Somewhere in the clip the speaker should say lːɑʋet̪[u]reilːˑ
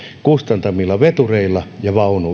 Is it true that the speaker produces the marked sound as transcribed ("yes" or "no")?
yes